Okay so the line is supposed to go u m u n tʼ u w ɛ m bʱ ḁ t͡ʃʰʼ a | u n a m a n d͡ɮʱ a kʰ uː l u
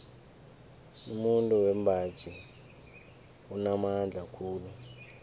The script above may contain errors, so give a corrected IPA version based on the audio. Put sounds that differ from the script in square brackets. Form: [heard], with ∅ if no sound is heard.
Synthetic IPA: u m u n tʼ u w ɛ m bʱ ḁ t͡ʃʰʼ [i] | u n a m a n d͡ɮʱ a kʰ uː l u

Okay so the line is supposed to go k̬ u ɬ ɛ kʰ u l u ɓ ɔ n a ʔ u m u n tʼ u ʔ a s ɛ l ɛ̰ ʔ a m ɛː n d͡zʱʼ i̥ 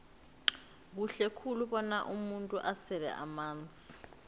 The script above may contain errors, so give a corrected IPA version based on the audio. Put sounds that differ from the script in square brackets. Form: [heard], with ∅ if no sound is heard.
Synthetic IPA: k̬ u ɬ ɛ kʰ u l u ɓ ɔ n a ʔ u m u n tʼ u ʔ a s ɛ l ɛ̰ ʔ a m [aː] n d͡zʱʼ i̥

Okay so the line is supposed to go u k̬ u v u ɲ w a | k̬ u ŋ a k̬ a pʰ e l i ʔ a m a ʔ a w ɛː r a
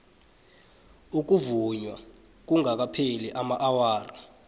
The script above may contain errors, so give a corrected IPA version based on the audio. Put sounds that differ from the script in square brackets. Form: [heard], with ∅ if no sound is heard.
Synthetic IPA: u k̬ u v u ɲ w a | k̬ u ŋ a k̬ a pʰ e l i ʔ a m a ʔ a w [aː] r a

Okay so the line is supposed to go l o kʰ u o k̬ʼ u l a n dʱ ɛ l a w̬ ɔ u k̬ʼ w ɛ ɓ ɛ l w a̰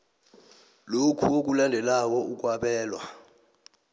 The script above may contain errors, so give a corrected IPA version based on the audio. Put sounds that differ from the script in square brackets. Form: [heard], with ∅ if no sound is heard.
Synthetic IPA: l o kʰ u o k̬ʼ u l a n dʱ ɛ l a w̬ ɔ u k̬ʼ w [a] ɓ [ɛː] l w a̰

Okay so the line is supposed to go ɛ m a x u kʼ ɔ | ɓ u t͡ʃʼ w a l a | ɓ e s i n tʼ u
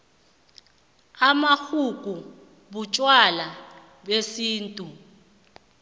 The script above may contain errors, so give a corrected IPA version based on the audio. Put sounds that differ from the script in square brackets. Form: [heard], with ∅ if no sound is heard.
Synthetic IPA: [a] m a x u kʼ [u] | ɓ u t͡ʃʼ w a l a | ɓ e s [iː] n tʼ u

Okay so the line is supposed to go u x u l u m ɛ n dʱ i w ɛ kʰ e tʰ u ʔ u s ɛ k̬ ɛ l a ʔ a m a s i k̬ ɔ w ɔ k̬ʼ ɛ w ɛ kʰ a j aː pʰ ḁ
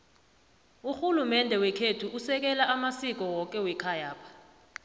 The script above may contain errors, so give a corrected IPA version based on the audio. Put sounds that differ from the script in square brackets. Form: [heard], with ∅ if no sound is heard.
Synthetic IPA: u x u l u m ɛ n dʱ [ɛ] w ɛ kʰ e tʰ u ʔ u s ɛ k̬ ɛ l a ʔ a m a s i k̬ ɔ w ɔ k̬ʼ ɛ w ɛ kʰ a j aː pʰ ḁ

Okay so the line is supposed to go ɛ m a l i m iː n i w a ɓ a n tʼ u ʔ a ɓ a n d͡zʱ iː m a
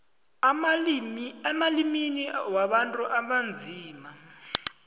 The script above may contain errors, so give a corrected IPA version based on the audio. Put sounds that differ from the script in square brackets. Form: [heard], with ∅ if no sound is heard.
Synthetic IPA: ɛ m a l i m [i] n i w a ɓ a n tʼ u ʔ a ɓ a n d͡zʱ iː m a

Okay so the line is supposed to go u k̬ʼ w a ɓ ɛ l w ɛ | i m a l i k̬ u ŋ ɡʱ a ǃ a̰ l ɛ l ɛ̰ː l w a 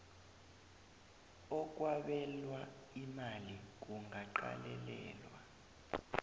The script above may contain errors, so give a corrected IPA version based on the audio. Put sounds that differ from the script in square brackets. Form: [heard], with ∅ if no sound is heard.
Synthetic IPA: [ɔ] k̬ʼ w a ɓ ɛ l w [a] | i m a l i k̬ u ŋ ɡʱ a ǃ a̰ l ɛ l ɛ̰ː l w a

